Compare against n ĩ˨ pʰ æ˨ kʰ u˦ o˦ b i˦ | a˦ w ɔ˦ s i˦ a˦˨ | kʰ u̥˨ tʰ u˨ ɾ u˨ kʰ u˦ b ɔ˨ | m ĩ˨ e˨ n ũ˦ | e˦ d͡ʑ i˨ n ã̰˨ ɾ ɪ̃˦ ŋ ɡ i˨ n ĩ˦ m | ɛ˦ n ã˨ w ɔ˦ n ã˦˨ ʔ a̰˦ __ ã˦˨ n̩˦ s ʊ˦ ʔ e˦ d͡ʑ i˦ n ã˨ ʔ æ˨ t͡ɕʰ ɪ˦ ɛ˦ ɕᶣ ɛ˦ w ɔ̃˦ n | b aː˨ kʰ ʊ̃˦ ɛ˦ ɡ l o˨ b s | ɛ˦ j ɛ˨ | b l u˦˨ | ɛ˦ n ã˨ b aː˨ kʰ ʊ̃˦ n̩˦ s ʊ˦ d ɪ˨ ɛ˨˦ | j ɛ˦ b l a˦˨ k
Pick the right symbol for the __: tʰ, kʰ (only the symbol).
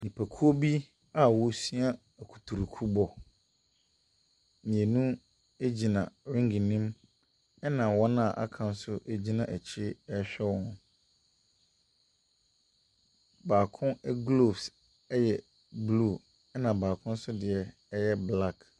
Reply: kʰ